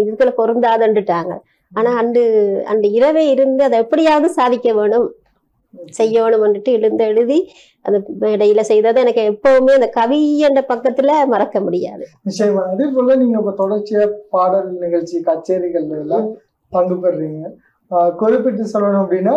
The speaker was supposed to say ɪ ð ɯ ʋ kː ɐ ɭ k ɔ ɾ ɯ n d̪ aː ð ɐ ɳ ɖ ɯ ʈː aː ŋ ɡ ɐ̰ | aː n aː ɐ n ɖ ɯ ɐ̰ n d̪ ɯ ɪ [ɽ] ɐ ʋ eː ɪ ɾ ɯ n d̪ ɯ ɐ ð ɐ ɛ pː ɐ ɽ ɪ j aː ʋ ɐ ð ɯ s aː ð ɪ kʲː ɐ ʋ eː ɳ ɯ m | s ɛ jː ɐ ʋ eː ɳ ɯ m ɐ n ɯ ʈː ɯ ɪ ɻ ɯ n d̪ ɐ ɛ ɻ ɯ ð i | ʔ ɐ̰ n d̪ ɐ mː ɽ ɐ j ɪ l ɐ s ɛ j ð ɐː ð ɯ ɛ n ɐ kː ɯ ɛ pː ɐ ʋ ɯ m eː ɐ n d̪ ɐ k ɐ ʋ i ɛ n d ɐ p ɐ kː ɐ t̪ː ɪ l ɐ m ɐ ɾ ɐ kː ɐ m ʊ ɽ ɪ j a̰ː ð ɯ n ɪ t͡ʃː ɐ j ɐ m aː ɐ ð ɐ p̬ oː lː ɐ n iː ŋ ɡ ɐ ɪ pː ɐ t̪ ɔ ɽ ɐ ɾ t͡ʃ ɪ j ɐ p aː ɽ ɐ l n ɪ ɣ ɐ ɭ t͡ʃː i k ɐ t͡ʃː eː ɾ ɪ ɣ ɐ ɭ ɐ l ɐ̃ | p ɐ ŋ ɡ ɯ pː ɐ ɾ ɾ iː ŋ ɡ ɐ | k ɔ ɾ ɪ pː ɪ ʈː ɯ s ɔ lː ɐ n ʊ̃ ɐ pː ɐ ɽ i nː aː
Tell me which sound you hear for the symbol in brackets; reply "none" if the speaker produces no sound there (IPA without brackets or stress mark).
ɾ